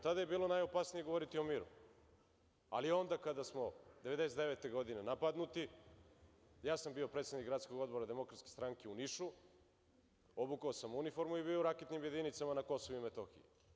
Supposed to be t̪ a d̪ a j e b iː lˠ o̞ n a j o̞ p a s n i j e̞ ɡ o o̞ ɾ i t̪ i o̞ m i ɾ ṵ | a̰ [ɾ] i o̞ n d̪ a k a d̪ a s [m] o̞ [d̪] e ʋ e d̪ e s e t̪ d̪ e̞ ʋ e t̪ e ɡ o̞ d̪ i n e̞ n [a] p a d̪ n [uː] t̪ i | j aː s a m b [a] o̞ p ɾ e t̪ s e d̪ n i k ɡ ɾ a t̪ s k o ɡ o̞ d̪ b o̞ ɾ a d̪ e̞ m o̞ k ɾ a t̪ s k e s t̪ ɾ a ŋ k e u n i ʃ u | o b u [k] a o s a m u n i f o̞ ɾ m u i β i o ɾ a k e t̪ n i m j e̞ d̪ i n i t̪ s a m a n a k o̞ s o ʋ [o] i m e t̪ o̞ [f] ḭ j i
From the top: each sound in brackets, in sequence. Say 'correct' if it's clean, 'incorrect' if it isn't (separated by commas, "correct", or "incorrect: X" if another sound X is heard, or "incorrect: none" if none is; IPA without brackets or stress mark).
incorrect: l, correct, correct, correct, incorrect: u, incorrect: i, correct, incorrect: u, incorrect: x